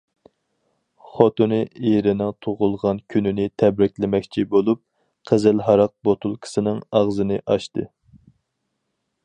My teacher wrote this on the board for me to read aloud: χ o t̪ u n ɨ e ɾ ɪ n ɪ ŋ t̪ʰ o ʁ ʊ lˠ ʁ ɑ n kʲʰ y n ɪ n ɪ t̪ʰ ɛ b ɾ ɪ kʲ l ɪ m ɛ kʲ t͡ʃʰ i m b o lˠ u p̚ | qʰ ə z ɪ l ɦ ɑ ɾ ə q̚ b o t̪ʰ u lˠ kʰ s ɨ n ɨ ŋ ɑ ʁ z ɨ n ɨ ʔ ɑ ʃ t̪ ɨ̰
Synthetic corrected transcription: χ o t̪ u n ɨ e ɾ ɪ n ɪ ŋ t̪ʰ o ʁ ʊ lˠ ʁ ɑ n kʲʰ y n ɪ n ɪ t̪ʰ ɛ b ɾ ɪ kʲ l ɪ m ɛ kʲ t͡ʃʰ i b o lˠ u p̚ | qʰ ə z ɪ l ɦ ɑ ɾ ɑ q̚ b o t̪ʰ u lˠ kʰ s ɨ n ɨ ŋ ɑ ʁ z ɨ n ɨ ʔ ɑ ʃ t̪ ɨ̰